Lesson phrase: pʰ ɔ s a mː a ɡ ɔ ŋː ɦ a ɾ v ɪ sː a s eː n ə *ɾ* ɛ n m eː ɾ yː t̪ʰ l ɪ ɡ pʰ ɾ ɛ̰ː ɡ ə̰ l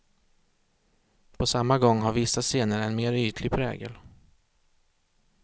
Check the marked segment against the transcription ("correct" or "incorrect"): correct